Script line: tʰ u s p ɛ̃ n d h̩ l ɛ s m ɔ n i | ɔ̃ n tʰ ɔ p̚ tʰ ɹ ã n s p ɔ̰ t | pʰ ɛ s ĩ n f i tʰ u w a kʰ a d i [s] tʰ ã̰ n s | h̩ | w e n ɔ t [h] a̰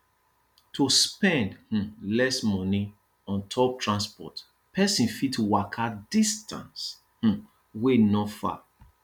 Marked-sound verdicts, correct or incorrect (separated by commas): correct, incorrect